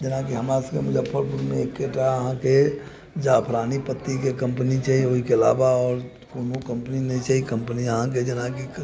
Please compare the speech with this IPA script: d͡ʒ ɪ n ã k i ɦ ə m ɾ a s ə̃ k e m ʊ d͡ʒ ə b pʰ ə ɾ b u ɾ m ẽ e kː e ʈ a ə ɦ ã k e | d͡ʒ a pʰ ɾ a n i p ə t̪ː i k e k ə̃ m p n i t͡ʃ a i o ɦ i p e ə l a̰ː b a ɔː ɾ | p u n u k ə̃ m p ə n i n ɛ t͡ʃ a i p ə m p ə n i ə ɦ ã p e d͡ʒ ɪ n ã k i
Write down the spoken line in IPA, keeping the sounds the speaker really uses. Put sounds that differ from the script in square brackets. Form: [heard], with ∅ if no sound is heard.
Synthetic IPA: d͡ʒ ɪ n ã k i ɦ ə m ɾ a s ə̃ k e m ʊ d͡ʒ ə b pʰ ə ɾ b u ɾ m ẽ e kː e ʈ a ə ɦ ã k e | d͡ʒ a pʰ ɾ a n i p ə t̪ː i k e k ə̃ m p n i t͡ʃ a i o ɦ i [k] e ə l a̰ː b a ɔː ɾ | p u n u k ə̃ m p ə n i n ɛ t͡ʃ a i [k] ə m p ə n i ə ɦ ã [k] e d͡ʒ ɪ n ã k i